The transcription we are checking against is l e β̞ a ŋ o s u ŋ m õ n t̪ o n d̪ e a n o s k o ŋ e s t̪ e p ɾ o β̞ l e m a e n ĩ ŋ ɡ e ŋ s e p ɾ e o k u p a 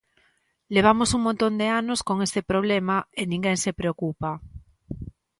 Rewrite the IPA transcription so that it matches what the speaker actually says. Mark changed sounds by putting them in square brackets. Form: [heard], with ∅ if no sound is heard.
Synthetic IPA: l e β̞ a [m] o s u ŋ m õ n t̪ o n d̪ e a n o s k o ŋ e s t̪ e p ɾ o β̞ l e m a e n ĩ ŋ ɡ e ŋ s e p ɾ e o k u p a